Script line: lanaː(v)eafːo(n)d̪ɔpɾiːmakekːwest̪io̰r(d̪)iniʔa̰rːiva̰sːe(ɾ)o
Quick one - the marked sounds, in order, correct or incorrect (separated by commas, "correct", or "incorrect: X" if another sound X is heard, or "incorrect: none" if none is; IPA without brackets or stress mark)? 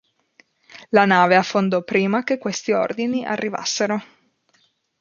correct, correct, correct, correct